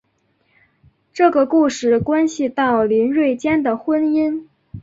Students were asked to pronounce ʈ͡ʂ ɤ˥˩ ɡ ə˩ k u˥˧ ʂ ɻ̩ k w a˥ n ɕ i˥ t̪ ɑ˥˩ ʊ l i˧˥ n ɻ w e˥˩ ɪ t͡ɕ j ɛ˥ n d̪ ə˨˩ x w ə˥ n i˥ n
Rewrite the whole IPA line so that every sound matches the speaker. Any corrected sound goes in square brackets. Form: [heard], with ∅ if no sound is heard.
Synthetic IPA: ʈ͡ʂ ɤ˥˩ ɡ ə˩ k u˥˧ ʂ ɻ̩ k w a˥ n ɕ [i˨] t̪ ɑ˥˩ ʊ l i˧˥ n ɻ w e˥˩ ɪ t͡ɕ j ɛ˥ n d̪ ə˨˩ x w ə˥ n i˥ n